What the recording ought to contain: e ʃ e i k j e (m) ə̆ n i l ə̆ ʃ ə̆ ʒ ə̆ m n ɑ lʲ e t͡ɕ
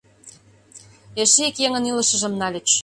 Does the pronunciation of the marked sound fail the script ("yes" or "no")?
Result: yes